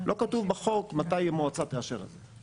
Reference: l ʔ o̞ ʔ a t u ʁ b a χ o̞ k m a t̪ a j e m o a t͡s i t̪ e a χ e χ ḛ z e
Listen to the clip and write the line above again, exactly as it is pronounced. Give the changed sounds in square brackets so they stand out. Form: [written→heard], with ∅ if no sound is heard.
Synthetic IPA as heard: l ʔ o̞ [ʔ→k] a t u [ʁ→v] b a χ o̞ k m a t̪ a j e m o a t͡s [i→a] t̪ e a [χ→ʃ] e [χ→ʁ] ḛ z e